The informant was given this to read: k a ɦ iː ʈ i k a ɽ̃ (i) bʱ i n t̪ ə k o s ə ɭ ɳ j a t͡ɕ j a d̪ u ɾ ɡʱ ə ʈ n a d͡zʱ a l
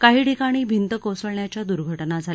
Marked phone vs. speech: incorrect: iː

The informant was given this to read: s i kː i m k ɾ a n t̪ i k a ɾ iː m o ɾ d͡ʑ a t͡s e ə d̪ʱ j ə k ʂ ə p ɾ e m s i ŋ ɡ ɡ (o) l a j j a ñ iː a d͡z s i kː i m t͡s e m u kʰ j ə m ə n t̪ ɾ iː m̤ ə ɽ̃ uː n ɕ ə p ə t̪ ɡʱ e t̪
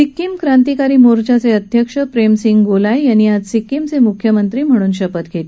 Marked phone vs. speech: correct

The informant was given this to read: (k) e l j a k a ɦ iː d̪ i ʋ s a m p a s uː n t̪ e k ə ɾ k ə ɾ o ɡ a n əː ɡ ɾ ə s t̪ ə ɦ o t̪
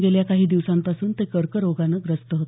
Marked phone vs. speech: incorrect: ɡ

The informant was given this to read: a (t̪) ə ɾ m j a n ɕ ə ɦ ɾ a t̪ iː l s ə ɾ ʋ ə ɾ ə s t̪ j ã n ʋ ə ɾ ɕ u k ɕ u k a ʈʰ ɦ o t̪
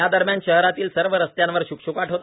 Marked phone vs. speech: incorrect: d̪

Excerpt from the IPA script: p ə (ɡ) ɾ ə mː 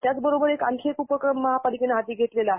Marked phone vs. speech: incorrect: k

